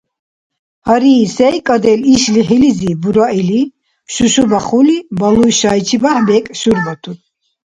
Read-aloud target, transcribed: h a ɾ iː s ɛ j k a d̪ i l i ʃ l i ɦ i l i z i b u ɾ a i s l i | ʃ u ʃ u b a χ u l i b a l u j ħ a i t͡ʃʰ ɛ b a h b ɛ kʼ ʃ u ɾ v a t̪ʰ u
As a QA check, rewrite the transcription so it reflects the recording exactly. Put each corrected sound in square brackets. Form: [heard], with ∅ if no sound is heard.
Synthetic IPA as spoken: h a ɾ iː s ɛ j [kʼ] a d̪ [ɛ] l i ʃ l i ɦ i l i z i b u ɾ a i [∅] l i | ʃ u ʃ u b a χ u l i b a l u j [ʃ] a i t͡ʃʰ [i] b a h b ɛ kʼ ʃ u ɾ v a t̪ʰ u